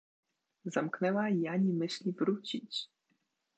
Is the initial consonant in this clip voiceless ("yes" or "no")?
no